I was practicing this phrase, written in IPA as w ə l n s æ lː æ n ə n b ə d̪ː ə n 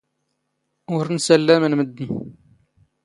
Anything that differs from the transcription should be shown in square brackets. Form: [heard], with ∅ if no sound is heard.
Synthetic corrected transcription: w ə [ɾ] n s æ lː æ [m] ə n [m] ə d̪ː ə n